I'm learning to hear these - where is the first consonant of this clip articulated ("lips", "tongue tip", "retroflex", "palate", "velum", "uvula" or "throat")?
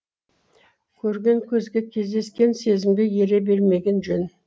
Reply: velum